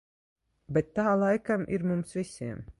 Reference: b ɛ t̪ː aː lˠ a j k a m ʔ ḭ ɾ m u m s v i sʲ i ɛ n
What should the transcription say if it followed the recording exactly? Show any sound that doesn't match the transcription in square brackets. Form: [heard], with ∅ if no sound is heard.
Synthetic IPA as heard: b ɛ t̪ː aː lˠ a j k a m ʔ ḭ ɾ m u m s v i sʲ i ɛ [m]